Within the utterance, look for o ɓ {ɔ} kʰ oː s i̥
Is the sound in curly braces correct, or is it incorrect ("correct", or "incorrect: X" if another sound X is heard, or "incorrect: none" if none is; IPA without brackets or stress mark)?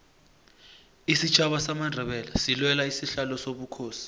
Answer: incorrect: u